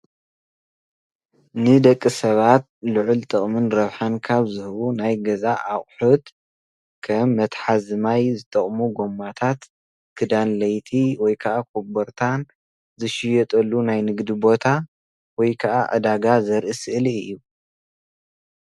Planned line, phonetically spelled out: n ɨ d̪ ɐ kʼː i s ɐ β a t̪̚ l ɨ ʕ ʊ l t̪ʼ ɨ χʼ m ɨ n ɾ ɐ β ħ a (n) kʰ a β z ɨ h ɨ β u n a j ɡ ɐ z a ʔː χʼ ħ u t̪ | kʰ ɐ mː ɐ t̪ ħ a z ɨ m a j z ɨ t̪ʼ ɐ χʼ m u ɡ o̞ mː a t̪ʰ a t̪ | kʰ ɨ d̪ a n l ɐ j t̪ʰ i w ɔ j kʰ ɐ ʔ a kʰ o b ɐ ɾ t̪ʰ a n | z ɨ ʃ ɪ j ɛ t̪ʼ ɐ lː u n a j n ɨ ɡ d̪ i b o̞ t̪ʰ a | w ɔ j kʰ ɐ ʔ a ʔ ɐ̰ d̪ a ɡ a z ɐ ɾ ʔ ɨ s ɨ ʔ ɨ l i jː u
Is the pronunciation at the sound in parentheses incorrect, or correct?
correct